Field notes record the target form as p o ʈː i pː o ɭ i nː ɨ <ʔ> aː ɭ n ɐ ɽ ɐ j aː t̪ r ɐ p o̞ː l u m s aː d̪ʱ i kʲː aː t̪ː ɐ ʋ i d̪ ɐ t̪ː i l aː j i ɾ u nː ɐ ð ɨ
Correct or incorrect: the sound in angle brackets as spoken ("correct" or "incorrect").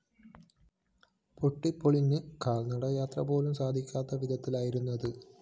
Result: incorrect